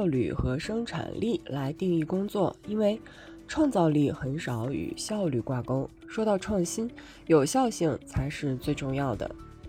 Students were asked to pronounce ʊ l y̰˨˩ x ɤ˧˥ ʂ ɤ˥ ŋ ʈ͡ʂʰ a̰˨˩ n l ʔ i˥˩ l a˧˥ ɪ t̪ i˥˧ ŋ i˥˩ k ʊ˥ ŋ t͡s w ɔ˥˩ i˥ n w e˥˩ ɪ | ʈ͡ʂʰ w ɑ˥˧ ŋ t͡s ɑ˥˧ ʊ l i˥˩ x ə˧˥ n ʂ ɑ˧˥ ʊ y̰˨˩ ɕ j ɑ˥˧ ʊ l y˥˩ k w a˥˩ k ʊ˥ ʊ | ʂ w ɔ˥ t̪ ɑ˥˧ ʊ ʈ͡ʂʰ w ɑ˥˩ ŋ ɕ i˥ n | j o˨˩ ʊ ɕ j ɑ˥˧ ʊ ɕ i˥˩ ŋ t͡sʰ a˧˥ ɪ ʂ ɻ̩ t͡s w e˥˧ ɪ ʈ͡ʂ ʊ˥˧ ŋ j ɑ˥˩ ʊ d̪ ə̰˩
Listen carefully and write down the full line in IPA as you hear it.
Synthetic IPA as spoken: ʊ l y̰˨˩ x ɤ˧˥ ʂ ɤ˥ ŋ ʈ͡ʂʰ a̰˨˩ n l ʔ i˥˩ l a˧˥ ɪ t̪ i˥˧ ŋ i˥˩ k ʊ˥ ŋ t͡s w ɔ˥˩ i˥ n w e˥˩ ɪ | ʈ͡ʂʰ w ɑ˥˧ ŋ t͡s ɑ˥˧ ʊ l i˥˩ x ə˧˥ n ʂ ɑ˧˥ ʊ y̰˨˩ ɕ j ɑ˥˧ ʊ l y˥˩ k w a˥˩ k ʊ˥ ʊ | ʂ w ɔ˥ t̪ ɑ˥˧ ʊ ʈ͡ʂʰ w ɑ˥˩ ŋ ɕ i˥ n | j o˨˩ ʊ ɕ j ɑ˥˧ ʊ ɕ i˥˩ ŋ t͡sʰ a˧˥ ɪ ʂ ɻ̩ t͡s w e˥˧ ɪ ʈ͡ʂ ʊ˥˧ ŋ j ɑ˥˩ ʊ d̪ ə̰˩